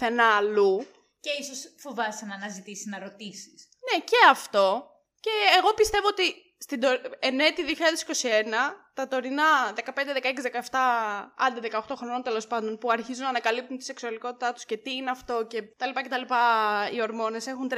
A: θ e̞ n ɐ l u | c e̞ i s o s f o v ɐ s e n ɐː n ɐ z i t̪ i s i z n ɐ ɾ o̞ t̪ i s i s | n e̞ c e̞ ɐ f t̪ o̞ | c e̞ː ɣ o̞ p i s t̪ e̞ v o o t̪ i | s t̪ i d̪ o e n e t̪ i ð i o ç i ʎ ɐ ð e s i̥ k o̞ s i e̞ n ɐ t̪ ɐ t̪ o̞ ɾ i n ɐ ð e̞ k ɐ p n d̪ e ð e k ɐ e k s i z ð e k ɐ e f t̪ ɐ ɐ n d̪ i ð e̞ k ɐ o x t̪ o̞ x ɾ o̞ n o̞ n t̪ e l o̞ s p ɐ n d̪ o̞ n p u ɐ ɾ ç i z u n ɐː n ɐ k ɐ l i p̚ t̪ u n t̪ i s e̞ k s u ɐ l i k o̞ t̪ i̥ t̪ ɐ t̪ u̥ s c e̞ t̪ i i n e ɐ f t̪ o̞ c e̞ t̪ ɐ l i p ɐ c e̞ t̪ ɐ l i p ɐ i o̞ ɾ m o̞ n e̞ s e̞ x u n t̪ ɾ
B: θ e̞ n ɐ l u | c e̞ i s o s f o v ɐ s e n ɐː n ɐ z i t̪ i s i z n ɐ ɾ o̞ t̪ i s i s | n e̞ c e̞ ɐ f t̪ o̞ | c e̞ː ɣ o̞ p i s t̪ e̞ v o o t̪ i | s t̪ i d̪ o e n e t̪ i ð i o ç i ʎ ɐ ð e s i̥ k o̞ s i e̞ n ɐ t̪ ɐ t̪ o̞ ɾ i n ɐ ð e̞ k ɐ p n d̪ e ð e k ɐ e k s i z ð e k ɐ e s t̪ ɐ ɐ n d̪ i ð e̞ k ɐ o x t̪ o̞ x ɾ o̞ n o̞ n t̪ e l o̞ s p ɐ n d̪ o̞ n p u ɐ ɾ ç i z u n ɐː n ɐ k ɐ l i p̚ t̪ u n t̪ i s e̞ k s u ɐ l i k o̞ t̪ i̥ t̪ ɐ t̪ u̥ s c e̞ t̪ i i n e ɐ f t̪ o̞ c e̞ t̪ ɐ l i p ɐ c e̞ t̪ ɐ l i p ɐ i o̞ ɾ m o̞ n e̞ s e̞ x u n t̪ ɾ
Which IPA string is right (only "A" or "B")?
A